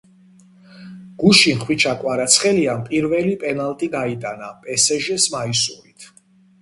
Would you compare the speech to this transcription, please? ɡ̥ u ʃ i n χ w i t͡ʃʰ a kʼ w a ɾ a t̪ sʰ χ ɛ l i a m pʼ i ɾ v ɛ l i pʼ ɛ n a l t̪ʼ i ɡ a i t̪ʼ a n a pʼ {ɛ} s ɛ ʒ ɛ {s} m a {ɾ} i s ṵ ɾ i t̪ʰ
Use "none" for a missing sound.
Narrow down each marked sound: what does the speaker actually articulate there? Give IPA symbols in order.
ɛ, s, none

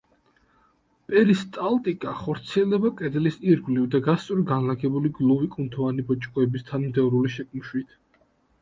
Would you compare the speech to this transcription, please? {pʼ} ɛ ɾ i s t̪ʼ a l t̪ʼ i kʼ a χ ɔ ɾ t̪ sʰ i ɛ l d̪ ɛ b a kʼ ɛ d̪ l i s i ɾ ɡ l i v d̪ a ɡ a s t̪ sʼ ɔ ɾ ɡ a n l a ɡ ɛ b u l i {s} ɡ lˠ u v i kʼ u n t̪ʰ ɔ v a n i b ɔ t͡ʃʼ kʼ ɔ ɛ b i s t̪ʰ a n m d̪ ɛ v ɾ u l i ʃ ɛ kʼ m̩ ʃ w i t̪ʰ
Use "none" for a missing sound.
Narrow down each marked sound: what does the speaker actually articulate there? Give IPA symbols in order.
pʼ, none

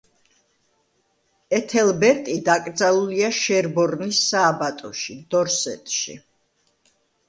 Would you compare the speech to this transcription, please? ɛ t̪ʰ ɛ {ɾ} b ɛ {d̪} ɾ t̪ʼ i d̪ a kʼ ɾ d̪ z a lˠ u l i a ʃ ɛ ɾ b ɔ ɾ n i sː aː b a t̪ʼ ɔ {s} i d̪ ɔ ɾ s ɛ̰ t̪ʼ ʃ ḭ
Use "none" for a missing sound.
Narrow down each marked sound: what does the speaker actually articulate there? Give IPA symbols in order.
l, none, ʃ

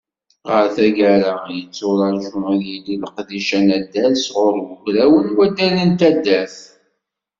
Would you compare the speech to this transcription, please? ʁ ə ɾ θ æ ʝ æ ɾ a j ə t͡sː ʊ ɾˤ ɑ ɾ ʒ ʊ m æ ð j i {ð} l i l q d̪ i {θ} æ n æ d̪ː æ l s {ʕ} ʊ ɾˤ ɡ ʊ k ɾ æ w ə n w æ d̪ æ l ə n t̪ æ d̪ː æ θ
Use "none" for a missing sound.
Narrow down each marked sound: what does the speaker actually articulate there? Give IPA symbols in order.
none, ʃ, ʁ

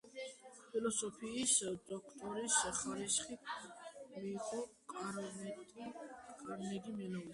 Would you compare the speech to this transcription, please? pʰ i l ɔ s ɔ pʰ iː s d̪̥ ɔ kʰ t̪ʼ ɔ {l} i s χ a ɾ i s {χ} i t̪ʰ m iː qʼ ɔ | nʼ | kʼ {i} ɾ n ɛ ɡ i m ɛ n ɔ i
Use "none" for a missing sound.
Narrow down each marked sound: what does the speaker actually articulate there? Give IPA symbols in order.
ɾ, χ, a

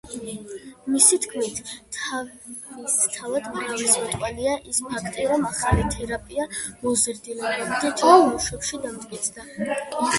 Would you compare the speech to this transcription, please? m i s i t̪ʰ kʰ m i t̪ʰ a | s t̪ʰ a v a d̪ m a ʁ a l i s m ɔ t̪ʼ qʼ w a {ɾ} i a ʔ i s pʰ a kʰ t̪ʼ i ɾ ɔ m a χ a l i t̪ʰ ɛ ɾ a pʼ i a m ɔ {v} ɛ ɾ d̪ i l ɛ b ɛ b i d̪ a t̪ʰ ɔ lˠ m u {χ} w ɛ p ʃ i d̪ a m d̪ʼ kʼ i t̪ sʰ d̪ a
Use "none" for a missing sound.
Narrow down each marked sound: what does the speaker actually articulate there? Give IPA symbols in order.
l, z, ʃ

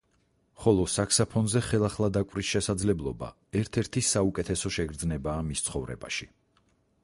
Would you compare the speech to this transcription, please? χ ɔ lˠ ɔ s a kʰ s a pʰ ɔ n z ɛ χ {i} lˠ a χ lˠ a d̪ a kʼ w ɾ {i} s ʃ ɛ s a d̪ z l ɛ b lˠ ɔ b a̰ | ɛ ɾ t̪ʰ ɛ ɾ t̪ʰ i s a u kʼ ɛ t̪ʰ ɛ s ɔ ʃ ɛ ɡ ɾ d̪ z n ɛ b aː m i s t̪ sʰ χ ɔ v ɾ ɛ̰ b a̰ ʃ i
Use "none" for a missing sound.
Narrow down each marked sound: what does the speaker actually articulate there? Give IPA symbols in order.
ɛ, i

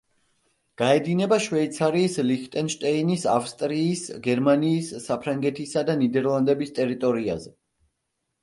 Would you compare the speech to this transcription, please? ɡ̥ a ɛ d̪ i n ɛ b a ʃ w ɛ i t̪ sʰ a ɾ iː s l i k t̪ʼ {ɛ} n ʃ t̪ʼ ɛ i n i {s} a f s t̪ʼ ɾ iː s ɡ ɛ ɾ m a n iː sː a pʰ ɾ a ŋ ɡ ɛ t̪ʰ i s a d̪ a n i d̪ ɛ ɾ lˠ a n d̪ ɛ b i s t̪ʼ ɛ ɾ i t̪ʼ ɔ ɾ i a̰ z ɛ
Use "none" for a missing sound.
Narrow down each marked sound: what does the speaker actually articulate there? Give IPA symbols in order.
ɛ, s

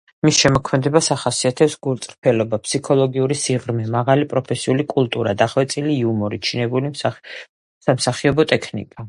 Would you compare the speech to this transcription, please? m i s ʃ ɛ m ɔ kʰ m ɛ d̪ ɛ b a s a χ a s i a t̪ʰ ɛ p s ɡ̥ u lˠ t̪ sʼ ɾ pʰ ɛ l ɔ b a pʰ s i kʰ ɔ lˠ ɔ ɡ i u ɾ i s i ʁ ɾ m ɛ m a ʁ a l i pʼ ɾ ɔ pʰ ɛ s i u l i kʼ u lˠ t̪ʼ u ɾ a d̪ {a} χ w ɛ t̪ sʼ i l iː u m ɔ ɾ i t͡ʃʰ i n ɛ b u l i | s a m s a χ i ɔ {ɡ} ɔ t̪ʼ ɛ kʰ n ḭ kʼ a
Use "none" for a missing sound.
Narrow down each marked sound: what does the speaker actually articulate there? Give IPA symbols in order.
a, b

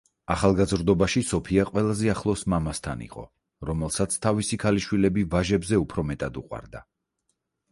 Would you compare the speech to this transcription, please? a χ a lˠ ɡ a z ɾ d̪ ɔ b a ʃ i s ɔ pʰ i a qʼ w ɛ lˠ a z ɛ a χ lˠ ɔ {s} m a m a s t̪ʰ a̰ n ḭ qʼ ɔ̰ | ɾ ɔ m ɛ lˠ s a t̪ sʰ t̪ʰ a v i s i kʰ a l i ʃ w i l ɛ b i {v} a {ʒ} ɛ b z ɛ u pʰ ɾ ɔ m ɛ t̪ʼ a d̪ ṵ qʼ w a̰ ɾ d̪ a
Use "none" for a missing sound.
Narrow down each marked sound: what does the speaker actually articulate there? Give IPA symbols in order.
s, v, ʒ

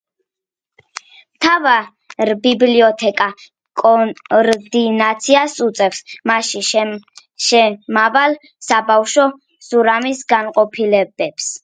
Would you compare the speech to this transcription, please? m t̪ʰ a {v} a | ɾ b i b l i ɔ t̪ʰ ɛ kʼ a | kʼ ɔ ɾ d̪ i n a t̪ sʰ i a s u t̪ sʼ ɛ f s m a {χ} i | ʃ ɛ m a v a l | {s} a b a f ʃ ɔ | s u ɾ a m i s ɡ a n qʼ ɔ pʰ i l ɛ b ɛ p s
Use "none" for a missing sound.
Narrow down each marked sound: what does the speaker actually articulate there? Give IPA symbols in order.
v, ʃ, s

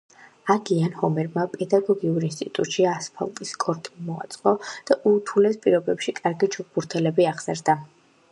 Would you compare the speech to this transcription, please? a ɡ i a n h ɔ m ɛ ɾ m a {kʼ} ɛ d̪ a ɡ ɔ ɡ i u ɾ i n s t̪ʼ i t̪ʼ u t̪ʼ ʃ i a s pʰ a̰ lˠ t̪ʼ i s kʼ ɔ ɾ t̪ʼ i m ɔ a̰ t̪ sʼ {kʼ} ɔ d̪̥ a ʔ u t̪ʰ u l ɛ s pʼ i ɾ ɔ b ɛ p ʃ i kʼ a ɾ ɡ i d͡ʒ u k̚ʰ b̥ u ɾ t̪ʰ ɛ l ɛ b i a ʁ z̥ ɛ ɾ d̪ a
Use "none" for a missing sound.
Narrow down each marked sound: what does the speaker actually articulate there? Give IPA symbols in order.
pʼ, qʼ

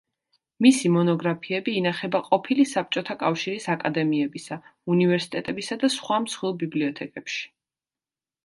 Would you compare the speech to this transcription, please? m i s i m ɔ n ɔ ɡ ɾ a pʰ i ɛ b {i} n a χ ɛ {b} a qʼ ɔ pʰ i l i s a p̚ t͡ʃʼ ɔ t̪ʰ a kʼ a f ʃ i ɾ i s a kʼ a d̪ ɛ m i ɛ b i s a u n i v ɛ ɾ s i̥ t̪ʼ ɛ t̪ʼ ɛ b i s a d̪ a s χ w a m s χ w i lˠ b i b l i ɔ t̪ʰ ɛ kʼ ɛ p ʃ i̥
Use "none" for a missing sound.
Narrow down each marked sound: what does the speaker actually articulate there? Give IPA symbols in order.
iː, b

